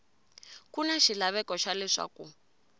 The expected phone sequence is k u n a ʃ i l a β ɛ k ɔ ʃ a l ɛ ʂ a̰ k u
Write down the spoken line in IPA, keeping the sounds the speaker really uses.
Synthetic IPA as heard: k u n a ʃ i l a β ɛ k ɔ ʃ a l ɛ ʂ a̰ k u